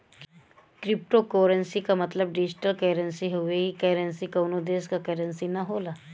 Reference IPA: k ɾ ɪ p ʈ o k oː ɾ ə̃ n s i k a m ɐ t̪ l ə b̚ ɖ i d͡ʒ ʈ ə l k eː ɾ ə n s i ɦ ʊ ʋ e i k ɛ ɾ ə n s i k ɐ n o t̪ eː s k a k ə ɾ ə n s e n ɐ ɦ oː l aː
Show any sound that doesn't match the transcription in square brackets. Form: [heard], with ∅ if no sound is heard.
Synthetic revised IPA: k ɾ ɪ p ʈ o k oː ɾ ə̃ n s i k a m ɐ t̪ l ə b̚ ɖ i d͡ʒ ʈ ə l k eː ɾ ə n s i ɦ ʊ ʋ e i k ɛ ɾ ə n s i k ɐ n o [d̪] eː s k a k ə ɾ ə n s [i] n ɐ ɦ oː l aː